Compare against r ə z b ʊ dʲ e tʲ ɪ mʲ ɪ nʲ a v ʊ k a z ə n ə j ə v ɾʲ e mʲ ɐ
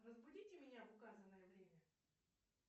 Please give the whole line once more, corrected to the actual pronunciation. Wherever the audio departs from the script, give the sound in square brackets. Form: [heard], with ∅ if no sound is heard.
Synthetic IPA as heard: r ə z b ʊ dʲ [i] tʲ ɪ mʲ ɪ nʲ a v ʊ k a z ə n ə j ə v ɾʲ e mʲ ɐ